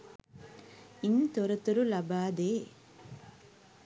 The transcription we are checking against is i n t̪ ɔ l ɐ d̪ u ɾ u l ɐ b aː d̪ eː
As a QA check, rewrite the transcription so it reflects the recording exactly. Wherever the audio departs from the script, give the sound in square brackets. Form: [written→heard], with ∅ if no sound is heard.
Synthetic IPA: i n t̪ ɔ [l→ɾ] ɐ [d̪→t̪] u ɾ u l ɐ b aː d̪ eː